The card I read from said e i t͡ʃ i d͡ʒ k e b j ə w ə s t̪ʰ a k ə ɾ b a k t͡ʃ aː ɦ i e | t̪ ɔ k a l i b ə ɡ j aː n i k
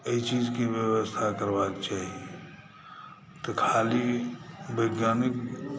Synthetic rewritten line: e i t͡ʃ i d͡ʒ k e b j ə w ə s t̪ʰ a k ə ɾ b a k t͡ʃ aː ɦ i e | t̪ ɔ kʰ a l i b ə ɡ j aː n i k